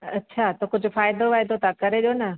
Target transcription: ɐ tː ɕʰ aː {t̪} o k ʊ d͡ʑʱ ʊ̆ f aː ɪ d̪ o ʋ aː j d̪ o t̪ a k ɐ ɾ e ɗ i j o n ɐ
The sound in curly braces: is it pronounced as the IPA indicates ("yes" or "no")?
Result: yes